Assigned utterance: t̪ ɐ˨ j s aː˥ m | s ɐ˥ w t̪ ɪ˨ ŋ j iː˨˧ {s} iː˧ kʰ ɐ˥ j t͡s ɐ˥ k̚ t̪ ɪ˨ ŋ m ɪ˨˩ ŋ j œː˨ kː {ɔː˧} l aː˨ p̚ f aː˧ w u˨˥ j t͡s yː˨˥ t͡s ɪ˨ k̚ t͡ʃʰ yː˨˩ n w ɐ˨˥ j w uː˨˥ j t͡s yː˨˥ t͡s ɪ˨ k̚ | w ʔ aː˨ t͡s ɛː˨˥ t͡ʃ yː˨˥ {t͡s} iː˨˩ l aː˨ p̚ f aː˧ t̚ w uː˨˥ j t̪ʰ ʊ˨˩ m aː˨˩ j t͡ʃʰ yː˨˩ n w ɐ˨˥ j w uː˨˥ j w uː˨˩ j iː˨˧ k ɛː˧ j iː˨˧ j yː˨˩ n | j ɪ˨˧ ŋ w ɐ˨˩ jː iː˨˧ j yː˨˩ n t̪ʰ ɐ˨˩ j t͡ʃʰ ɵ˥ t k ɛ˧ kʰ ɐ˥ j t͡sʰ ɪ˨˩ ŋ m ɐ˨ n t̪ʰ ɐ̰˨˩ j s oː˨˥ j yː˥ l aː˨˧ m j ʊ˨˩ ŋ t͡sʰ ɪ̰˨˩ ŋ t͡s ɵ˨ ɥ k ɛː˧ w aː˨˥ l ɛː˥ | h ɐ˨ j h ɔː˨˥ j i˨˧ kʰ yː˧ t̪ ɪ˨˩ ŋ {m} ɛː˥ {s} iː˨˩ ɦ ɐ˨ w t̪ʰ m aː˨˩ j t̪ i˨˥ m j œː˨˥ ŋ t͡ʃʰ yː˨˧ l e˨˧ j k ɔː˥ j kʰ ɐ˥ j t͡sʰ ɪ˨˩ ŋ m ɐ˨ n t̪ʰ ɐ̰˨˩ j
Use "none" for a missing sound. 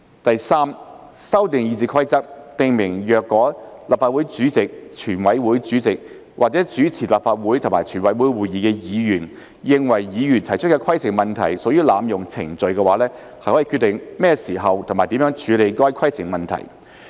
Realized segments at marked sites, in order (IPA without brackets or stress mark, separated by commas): t͡s, ɔː˨˥, t͡sʰ, m, s